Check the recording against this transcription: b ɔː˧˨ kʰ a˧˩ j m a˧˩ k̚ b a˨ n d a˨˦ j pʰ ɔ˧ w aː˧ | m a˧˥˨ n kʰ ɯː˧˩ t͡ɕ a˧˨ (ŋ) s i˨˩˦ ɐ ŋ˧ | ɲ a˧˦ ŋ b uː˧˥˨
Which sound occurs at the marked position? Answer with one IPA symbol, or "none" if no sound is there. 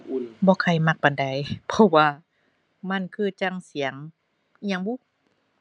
ŋ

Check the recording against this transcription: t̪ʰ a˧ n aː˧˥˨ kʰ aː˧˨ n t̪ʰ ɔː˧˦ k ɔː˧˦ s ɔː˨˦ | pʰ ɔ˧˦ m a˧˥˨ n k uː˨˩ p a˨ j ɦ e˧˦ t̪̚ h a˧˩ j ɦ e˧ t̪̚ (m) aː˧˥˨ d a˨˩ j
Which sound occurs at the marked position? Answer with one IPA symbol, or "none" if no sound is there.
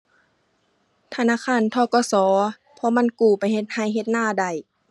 n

